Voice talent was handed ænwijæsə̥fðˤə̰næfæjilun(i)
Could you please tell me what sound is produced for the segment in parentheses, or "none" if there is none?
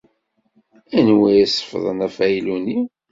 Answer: i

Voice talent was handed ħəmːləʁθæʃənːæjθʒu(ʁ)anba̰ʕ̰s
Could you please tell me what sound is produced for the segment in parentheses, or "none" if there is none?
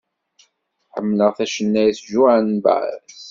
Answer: ʕ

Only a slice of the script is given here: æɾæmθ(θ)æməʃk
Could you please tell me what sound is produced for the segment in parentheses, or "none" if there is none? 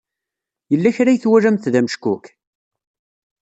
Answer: ð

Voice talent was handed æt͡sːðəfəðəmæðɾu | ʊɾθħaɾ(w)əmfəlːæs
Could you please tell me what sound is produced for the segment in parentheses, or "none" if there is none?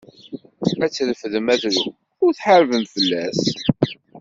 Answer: v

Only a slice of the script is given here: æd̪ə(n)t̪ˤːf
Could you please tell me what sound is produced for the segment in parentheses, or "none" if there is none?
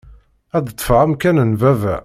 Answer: none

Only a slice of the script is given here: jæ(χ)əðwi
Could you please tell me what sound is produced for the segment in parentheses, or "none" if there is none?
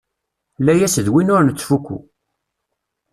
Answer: s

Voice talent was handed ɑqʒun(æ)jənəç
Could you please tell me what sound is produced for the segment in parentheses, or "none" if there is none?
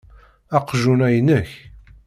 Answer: æ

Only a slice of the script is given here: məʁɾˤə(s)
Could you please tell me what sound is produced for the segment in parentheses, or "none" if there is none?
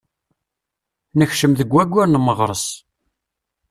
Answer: s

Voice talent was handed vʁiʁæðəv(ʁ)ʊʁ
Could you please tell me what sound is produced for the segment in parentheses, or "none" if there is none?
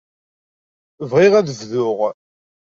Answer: ð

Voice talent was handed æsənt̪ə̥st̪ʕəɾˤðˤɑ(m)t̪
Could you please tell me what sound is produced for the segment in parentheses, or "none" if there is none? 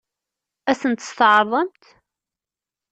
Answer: m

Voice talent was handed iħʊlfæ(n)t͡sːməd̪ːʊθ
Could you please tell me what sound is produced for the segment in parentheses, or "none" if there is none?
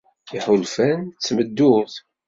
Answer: n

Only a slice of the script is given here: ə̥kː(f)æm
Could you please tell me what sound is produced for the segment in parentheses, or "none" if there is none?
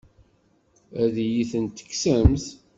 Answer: s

